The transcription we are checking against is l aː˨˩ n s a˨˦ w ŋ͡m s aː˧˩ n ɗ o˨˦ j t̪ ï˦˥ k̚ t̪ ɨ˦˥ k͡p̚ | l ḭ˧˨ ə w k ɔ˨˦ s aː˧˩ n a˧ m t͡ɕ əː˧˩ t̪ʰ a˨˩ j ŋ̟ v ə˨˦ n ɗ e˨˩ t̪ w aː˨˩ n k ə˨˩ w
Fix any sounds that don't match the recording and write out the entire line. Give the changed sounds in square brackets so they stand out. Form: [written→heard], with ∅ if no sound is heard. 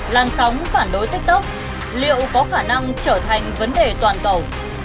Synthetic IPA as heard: l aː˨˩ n s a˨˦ w ŋ͡m [s→f] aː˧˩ n ɗ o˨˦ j t̪ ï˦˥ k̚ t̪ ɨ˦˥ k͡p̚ | l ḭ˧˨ ə w k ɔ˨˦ [s→x] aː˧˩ n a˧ [m→ŋ] t͡ɕ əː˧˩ t̪ʰ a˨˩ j ŋ̟ v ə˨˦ n ɗ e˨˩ t̪ w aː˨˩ n k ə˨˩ w